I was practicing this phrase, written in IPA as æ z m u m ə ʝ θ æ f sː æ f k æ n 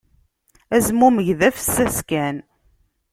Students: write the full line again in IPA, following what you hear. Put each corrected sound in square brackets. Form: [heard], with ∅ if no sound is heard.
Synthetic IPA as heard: æ z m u m ə ʝ [ð] æ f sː æ [s] k æ n